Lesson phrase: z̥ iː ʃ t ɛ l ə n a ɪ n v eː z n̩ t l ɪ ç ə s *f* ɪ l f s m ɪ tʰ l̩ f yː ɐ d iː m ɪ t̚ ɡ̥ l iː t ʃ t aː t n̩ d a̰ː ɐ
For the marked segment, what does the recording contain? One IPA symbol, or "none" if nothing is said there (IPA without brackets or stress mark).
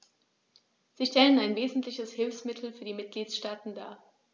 h